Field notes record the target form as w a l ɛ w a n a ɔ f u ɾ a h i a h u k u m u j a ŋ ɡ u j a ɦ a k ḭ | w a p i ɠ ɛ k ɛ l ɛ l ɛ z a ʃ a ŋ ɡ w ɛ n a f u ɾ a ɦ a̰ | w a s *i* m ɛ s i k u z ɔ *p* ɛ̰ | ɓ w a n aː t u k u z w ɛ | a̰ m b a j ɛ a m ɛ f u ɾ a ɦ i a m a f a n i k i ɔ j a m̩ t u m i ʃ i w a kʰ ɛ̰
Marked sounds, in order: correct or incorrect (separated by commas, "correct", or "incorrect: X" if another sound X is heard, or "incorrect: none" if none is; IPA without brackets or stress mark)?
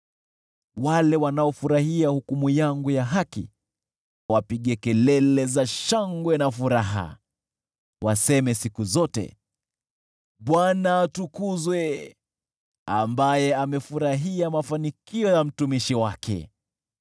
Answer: incorrect: ɛ, incorrect: t